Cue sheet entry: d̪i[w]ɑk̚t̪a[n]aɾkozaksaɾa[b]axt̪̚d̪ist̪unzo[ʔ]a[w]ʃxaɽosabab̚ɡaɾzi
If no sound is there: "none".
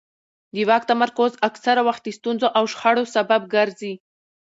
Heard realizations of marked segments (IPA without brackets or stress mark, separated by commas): w, m, w, ʔ, w